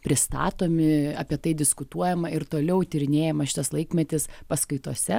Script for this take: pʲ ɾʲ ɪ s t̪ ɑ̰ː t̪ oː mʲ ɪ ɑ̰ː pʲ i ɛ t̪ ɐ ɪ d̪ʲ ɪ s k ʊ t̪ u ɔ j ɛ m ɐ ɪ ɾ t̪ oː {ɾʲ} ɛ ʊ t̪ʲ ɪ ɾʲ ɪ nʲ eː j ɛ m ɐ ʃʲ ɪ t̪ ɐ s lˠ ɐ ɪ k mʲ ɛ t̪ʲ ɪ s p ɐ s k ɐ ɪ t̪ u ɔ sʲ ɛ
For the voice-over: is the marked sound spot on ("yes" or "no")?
no